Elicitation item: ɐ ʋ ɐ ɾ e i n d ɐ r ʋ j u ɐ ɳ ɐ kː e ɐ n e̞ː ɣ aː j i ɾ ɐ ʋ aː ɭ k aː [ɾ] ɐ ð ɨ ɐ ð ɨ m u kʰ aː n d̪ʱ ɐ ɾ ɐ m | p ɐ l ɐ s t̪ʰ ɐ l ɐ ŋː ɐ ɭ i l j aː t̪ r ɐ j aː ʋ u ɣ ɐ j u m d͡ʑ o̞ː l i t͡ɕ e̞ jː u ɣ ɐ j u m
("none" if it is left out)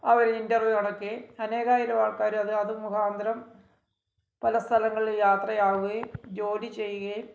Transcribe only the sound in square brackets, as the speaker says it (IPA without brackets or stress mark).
ɾ